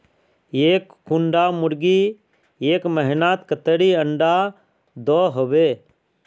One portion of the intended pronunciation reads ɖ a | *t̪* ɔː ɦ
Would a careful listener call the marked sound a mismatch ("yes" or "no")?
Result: yes